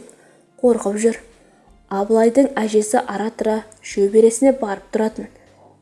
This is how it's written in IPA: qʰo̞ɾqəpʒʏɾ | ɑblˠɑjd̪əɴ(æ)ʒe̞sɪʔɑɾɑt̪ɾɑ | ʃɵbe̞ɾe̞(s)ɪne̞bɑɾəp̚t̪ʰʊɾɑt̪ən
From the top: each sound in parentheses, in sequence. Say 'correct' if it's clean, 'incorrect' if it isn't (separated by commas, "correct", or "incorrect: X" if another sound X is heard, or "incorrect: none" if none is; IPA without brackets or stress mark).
correct, correct